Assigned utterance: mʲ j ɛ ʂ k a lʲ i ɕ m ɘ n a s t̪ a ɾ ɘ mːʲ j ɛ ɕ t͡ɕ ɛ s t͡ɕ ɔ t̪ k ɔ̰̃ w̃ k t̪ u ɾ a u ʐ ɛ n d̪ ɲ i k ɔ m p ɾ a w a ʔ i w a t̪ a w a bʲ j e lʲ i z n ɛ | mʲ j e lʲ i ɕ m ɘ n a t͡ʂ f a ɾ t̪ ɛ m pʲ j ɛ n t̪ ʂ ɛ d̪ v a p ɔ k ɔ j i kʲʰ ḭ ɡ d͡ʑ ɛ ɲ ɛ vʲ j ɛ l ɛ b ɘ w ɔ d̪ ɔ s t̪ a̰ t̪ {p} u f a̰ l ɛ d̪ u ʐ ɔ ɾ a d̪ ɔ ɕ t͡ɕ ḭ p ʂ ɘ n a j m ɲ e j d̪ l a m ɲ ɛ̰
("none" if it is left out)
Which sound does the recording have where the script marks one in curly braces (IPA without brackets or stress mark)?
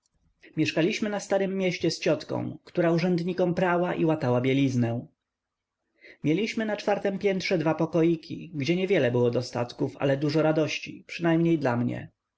k